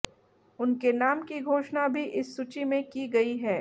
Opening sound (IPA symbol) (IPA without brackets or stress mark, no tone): ʊ